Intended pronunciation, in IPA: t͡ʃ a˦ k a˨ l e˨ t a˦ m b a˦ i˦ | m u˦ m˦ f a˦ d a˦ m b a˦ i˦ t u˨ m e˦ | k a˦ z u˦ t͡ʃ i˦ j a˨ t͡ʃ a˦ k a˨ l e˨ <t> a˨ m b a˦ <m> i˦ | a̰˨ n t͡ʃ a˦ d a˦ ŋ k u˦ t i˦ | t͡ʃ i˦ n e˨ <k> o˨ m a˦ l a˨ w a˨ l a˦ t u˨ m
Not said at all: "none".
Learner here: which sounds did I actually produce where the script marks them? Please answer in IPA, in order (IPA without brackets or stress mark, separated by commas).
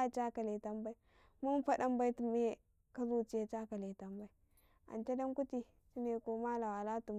t, none, k